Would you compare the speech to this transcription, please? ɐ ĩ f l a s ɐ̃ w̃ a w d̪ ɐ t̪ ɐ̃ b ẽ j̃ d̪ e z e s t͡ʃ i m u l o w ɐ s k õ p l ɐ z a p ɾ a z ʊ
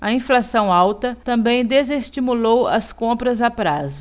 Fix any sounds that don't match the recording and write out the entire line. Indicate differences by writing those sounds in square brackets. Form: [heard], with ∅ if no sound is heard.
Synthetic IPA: ɐ ĩ f l a s ɐ̃ w̃ a w [t̪] ɐ t̪ ɐ̃ b ẽ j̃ d̪ e z e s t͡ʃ i m u l o w ɐ s k õ p [ɾ] ɐ z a p ɾ a z ʊ

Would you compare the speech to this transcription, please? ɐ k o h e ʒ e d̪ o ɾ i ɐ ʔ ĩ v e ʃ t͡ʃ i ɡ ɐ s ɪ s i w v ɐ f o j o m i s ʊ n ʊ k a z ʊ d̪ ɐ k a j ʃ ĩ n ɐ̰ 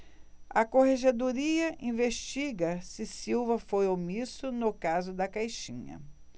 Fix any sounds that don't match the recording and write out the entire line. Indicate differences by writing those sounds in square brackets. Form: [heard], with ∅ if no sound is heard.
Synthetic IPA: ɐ k o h e ʒ e d̪ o ɾ i ɐ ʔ ĩ v e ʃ t͡ʃ i ɡ ɐ s ɪ s i w v ɐ f o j o m i s ʊ n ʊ k a z ʊ d̪ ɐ k a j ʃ ĩ [ɲ] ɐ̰

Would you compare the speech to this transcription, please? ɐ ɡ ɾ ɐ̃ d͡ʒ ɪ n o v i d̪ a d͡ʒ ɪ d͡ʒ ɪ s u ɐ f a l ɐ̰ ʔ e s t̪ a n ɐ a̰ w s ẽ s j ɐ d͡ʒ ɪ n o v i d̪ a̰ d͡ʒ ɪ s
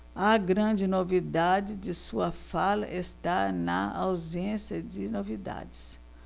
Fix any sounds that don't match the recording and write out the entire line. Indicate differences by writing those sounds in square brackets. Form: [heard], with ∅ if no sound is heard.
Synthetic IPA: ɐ ɡ ɾ ɐ̃ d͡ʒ ɪ n o v i d̪ a d͡ʒ ɪ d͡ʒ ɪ s u ɐ f a l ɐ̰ ʔ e s t̪ a n ɐ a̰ w [z] ẽ s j ɐ d͡ʒ ɪ n o v i d̪ a̰ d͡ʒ ɪ s

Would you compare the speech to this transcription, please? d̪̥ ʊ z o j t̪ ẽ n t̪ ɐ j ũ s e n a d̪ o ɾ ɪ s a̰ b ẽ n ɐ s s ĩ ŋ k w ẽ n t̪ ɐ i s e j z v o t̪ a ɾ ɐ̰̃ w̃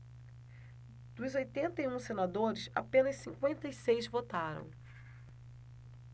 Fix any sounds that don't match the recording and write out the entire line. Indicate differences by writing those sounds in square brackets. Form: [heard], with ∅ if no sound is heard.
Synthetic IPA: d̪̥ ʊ z o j t̪ ẽ n t̪ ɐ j ũ s e n a d̪ o ɾ ɪ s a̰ [p] ẽ n ɐ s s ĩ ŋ k w ẽ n t̪ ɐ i s e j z v o t̪ a ɾ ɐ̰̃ w̃

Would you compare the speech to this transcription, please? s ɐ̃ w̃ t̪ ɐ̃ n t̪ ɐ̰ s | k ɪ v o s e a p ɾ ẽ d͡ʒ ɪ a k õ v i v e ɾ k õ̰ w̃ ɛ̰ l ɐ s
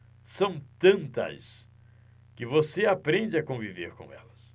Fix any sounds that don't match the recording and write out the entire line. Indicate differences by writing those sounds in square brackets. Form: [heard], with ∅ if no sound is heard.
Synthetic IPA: s ɐ̃ w̃ t̪ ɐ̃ n t̪ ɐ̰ s | k ɪ v o s e a p ɾ ẽ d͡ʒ ɪ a k õ v i v e ɾ k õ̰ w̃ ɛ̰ l ɐ s

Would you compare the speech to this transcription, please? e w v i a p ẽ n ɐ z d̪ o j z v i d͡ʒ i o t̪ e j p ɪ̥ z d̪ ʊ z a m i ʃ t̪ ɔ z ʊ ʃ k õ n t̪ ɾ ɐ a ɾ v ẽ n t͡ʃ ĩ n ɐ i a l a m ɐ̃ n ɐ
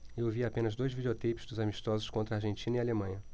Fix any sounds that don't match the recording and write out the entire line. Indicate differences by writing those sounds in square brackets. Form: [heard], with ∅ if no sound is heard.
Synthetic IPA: e w v i a p ẽ n ɐ z d̪ o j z v i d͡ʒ [e] o t̪ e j p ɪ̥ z d̪ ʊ z a m i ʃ t̪ ɔ z ʊ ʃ k õ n t̪ ɾ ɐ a ɾ [ʒ] ẽ n t͡ʃ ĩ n ɐ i a l [e] m ɐ̃ [ɲ] ɐ

